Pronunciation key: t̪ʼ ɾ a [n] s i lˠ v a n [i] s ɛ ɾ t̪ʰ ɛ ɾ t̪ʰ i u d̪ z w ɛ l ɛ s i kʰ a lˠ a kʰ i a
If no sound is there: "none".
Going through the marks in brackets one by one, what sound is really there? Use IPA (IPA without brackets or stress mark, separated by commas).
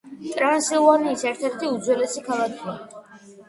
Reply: n, iː